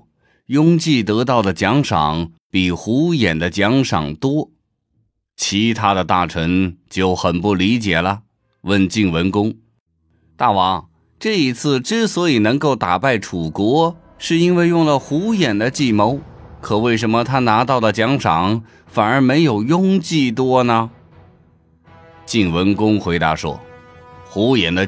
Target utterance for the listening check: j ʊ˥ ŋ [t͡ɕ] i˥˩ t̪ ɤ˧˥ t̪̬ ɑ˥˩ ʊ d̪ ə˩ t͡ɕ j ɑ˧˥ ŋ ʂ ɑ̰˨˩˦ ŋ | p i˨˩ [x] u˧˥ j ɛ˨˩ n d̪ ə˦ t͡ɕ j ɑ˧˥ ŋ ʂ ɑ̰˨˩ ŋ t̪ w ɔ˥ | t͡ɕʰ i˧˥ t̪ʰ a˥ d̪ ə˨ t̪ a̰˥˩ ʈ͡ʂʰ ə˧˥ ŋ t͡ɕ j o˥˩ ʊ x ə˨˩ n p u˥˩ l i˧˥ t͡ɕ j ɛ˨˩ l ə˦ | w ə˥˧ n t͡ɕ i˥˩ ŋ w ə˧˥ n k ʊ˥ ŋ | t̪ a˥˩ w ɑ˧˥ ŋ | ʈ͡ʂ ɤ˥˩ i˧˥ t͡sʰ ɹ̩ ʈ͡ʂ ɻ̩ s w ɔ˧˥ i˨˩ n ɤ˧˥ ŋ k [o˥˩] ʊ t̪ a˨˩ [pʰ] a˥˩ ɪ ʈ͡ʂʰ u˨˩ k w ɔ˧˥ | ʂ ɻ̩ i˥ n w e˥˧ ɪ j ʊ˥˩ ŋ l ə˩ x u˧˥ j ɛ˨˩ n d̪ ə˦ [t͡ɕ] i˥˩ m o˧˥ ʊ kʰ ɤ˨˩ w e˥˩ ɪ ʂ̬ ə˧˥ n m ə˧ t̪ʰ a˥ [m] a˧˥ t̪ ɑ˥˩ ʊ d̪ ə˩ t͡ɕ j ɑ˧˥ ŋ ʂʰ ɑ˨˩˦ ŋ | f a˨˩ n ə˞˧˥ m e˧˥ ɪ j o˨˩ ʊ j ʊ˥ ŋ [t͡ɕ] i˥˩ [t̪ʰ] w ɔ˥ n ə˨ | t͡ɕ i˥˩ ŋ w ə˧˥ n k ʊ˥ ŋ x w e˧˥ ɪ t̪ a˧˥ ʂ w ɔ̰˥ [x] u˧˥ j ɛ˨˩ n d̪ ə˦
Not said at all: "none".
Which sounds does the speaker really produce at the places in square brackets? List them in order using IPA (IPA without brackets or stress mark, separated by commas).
t͡ɕ, x, o˥˩, p, t͡ɕ, n, t͡ɕ, t̪, x